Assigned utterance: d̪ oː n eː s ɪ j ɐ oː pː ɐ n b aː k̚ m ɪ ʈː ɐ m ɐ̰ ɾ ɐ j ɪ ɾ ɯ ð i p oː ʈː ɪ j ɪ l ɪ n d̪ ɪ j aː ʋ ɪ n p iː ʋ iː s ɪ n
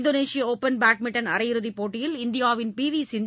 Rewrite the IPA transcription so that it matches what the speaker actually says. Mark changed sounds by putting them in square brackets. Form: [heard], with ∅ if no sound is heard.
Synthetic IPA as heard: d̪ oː n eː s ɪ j ɐ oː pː ɐ n b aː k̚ m ɪ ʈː ɐ [n] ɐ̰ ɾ ɐ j ɪ ɾ ɯ ð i p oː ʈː ɪ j ɪ l ɪ n d̪ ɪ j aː ʋ ɪ n p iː ʋ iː s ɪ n